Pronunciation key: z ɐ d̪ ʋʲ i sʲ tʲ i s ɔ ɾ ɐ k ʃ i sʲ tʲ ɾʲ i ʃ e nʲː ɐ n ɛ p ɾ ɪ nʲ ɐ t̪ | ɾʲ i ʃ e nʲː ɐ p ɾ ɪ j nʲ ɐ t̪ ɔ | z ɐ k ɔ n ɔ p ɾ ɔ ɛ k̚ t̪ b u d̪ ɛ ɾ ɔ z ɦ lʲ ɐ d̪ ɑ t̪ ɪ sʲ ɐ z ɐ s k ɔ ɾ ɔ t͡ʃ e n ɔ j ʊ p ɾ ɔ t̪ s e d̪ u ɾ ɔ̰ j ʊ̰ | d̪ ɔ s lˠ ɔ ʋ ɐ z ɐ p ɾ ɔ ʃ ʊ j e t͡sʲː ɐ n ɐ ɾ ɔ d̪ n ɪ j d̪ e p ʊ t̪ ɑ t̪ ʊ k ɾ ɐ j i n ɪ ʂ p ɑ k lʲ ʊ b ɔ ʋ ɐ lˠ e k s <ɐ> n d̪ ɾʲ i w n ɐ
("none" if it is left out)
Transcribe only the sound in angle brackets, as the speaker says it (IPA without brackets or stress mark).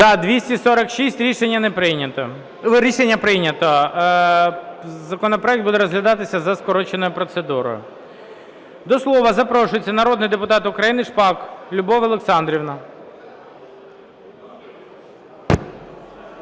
ɑ